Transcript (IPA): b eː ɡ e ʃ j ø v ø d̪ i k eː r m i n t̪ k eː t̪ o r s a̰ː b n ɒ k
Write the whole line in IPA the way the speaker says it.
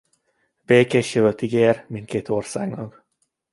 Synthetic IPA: b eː k e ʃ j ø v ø t̪ i ɡ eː r m i n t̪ k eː t̪ o r s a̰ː ɡ n ɒ k